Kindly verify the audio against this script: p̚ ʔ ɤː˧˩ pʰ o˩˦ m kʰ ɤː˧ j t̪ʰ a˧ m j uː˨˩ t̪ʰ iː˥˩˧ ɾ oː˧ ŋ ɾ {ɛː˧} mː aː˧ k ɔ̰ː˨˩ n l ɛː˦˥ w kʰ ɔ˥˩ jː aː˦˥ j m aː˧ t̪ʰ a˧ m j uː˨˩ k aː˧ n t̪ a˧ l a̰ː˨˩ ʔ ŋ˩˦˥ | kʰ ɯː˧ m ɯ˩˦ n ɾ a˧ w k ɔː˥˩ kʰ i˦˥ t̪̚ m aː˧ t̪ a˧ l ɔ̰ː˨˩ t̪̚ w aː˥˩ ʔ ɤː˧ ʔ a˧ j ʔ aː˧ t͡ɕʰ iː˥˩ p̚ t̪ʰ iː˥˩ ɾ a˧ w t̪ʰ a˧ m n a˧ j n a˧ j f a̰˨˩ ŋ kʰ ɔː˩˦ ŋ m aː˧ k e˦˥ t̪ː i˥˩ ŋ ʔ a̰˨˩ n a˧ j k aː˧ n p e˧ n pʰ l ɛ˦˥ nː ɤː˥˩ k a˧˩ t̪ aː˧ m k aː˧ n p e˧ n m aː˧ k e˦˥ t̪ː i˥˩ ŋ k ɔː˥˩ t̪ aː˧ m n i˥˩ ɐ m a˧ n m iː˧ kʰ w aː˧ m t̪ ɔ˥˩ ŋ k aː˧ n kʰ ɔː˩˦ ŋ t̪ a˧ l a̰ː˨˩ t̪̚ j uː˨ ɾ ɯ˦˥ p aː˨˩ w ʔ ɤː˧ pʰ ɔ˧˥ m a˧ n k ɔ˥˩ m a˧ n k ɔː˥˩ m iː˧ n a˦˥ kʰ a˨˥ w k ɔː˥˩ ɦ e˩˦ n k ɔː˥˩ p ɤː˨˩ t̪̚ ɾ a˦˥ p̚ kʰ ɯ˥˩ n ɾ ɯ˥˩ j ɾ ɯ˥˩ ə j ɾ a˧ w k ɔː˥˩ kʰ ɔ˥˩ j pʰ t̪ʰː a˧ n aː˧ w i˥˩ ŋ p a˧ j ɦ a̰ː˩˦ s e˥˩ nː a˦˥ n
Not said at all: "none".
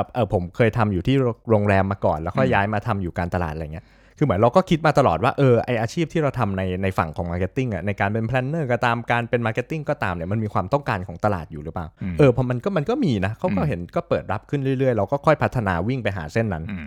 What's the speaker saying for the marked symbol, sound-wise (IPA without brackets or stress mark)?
ɛː˧